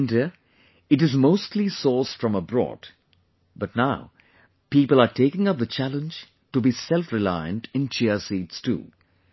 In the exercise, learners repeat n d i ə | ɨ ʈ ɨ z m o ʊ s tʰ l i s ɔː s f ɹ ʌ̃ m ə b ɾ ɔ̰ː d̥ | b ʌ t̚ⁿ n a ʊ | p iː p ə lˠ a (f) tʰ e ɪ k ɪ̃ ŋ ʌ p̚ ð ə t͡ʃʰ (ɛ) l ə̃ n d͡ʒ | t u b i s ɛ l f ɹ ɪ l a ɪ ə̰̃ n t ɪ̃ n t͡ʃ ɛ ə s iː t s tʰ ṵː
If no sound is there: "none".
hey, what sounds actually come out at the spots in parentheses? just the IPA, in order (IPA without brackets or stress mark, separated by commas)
none, æ